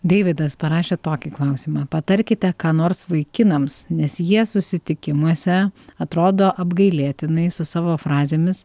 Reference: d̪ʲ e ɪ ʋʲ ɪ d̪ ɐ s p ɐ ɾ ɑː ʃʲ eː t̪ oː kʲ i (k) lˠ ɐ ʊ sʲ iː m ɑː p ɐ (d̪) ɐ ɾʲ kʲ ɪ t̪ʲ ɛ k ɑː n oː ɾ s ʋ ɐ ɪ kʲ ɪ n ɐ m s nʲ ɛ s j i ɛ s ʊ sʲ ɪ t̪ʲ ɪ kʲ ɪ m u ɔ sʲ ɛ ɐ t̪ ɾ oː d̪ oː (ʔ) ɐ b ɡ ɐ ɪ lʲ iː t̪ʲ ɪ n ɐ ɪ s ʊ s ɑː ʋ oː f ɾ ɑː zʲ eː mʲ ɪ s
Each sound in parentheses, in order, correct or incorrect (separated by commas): correct, incorrect, correct